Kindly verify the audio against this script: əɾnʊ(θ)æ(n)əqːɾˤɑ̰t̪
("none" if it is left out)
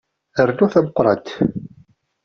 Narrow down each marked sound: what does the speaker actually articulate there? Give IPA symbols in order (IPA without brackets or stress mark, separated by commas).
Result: θ, m